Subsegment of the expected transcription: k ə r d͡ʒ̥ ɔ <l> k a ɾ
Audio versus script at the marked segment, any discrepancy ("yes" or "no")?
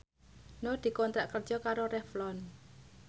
yes